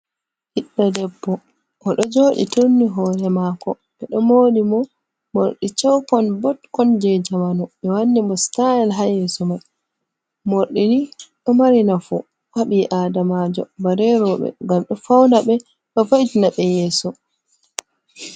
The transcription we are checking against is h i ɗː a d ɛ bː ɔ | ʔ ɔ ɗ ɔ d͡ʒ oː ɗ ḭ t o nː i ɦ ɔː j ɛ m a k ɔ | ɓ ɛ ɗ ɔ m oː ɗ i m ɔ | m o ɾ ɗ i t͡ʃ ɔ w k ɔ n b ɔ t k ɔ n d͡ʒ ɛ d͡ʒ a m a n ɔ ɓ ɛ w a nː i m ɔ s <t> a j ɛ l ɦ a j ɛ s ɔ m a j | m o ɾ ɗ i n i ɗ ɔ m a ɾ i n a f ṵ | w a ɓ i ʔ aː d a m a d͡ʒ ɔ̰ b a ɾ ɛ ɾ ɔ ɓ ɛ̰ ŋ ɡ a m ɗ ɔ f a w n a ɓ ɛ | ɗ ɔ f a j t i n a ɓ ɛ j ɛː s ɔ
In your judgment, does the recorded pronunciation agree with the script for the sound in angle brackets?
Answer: yes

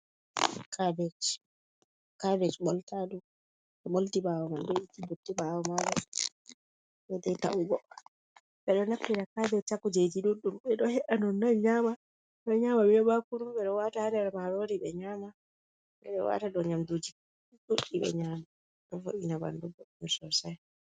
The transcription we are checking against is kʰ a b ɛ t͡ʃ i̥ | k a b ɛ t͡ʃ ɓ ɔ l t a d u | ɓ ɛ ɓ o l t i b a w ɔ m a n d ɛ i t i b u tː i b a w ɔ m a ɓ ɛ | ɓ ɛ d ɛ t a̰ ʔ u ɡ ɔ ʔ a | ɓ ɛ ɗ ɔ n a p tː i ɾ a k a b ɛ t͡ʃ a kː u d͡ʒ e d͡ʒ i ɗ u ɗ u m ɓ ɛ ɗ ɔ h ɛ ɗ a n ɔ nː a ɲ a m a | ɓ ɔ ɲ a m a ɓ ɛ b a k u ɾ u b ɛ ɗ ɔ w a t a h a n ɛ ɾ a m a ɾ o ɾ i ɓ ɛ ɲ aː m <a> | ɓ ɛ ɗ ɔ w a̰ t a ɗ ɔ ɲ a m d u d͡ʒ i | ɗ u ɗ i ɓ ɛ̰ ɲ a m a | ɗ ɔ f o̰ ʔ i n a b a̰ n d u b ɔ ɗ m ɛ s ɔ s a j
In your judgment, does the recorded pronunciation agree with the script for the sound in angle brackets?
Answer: yes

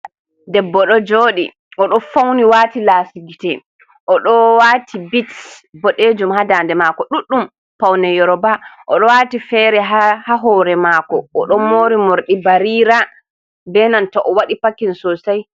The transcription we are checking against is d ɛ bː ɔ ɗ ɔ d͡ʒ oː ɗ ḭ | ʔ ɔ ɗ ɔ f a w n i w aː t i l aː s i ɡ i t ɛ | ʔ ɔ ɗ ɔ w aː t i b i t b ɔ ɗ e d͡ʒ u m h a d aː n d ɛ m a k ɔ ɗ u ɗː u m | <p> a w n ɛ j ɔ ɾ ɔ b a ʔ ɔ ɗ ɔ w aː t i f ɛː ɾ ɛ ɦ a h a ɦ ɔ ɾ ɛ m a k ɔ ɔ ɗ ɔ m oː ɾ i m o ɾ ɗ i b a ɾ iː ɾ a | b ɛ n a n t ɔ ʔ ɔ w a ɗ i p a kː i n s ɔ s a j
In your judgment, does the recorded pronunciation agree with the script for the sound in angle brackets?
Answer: yes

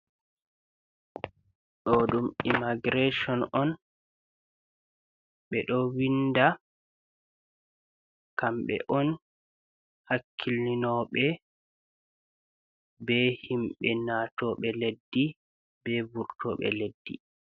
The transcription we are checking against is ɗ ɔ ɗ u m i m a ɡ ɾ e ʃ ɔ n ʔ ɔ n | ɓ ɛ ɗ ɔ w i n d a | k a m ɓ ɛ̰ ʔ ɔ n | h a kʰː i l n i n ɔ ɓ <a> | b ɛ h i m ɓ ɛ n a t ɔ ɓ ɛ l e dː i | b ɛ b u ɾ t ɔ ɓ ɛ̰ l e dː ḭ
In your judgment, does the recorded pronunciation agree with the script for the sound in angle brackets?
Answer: no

